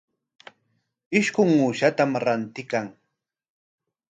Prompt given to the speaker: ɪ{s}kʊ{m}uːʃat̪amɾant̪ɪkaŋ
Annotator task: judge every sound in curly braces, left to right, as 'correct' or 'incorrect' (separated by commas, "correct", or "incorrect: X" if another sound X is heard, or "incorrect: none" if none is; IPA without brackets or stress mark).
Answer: incorrect: ʃ, incorrect: ŋ